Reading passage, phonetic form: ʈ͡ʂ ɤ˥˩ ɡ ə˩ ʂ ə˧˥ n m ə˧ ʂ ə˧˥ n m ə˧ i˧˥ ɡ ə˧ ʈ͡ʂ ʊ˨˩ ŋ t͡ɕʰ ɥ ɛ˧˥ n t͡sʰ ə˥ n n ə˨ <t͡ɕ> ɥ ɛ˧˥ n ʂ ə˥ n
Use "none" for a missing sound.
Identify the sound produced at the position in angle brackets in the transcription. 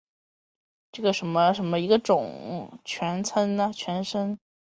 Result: t͡ɕʰ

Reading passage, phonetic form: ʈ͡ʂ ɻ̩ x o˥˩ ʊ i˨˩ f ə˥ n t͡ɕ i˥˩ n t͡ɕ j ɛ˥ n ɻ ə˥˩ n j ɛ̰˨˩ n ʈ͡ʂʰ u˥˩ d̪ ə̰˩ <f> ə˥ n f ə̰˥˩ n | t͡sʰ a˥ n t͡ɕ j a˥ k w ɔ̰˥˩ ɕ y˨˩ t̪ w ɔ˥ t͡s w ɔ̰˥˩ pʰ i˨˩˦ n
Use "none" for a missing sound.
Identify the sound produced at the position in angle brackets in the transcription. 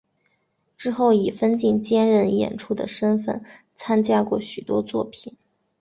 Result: ʂ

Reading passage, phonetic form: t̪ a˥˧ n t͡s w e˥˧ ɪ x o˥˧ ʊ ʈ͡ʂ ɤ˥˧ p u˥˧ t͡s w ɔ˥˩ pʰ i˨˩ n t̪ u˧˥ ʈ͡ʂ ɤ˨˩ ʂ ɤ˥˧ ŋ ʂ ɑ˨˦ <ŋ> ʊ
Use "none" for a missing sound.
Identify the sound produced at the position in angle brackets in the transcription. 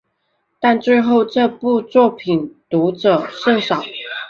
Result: none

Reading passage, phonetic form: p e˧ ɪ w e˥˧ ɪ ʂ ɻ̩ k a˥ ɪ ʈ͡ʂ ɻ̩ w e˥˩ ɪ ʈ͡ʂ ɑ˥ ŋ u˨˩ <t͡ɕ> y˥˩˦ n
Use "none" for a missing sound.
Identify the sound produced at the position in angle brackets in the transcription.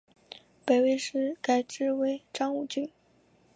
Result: t͡ɕ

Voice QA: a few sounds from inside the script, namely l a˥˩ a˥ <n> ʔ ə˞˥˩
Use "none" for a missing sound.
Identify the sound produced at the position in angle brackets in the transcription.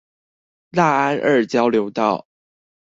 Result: n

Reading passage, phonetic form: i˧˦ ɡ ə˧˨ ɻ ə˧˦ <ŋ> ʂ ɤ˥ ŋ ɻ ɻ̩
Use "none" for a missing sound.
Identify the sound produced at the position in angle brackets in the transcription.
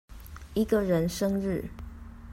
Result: n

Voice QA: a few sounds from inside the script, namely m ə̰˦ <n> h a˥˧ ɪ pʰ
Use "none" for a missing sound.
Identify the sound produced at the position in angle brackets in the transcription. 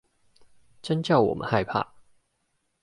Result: n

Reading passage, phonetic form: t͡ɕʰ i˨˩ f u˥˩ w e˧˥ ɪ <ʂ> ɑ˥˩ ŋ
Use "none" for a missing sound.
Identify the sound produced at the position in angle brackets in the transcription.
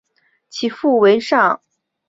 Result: ʂ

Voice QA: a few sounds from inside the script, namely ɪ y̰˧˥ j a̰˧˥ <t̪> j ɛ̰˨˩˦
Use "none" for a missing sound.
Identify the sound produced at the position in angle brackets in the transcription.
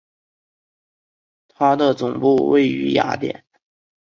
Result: t̪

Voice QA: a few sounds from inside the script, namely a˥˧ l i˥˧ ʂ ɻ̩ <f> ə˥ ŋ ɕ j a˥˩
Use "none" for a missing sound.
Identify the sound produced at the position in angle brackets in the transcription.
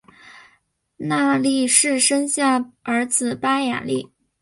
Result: ʂ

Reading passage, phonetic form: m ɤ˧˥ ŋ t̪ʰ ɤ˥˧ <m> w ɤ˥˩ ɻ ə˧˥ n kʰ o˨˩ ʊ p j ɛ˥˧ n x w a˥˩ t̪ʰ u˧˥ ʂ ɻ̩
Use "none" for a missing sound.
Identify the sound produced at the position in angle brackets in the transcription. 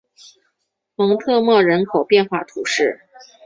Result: m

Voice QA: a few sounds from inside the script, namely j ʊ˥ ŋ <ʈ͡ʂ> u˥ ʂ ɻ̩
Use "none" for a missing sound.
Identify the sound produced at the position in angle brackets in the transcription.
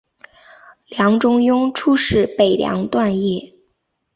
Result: ʈ͡ʂʰ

